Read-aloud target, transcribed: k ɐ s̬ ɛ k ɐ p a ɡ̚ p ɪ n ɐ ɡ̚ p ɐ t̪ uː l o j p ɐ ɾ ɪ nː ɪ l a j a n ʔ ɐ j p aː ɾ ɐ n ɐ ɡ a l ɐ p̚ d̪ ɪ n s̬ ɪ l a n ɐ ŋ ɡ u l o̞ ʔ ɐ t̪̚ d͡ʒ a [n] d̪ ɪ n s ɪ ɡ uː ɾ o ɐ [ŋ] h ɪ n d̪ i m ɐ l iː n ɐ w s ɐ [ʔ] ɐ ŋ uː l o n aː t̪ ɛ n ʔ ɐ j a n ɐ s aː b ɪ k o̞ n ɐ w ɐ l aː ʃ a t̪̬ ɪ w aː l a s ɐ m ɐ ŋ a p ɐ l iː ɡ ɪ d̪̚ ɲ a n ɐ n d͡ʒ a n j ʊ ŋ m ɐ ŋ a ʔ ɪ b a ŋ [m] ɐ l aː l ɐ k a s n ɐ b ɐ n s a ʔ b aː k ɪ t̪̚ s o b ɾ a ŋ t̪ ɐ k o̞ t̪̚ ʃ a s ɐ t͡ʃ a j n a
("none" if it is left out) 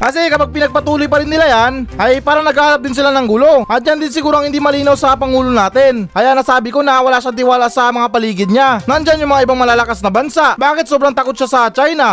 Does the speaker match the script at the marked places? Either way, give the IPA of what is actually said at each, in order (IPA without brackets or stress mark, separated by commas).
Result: n, ŋ, p, m